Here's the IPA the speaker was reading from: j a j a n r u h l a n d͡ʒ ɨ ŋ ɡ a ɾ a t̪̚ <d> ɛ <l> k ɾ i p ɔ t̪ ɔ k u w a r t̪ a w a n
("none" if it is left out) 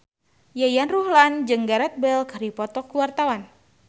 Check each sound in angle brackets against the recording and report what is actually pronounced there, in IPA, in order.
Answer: b, l

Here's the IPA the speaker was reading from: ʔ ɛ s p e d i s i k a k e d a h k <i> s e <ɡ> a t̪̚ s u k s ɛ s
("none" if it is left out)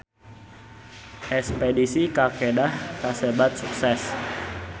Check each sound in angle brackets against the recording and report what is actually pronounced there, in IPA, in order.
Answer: a, b

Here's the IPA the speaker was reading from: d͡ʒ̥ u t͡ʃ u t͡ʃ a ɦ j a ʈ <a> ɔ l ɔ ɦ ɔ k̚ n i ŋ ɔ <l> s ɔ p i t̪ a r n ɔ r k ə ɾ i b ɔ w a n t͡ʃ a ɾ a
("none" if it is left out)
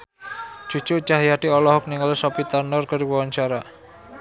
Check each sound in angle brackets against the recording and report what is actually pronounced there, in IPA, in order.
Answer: i, l

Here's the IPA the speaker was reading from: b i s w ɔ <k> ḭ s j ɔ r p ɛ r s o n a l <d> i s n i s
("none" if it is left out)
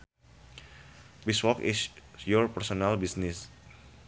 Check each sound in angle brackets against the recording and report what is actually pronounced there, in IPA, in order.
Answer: k, b

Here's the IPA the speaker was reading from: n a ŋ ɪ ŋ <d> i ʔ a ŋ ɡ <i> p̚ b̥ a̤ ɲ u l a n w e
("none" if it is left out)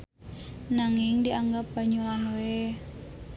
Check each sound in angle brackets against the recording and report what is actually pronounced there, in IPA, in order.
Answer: d, a

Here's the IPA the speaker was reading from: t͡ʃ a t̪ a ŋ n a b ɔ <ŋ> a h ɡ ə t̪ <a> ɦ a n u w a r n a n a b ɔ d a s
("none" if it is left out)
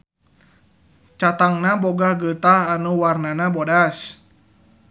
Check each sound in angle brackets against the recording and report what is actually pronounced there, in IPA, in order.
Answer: ɡ, a

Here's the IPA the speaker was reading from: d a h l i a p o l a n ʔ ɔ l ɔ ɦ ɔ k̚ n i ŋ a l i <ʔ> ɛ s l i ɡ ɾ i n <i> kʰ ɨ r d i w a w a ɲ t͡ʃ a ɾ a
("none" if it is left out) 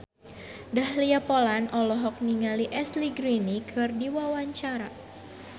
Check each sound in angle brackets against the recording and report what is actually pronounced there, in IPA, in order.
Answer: ʔ, i

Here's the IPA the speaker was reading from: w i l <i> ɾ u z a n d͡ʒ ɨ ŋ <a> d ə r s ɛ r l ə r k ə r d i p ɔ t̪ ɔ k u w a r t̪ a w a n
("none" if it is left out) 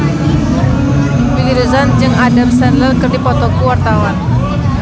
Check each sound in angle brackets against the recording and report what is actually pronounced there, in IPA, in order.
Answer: i, a

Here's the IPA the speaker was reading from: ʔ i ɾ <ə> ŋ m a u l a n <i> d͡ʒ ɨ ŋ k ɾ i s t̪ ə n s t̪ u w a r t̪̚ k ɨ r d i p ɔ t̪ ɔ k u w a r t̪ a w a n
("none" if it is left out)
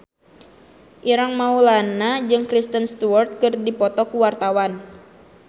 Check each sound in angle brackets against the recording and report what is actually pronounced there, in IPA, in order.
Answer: a, a

